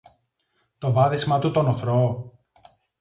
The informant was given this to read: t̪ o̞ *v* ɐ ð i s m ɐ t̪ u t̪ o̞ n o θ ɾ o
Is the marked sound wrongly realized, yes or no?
no